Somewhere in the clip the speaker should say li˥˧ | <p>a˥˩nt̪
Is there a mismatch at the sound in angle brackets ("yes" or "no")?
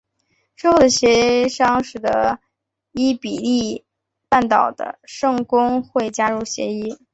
no